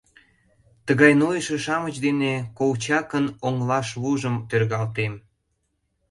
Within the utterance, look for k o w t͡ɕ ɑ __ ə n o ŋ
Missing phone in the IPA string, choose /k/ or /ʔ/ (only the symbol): k